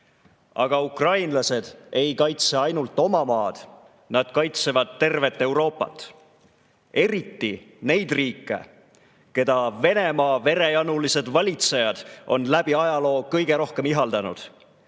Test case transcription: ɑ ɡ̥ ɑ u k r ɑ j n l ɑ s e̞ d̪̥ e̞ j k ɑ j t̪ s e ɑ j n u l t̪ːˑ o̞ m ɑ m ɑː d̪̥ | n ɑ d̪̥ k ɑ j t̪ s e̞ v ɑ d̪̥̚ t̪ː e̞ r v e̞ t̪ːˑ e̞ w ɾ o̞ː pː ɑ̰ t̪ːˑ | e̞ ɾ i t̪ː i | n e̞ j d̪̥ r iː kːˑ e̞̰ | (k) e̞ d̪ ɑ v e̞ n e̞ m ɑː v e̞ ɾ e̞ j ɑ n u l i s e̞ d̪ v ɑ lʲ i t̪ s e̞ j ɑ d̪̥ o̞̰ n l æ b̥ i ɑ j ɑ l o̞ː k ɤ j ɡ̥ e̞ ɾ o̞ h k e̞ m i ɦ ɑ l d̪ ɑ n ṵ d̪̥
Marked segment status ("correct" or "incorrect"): correct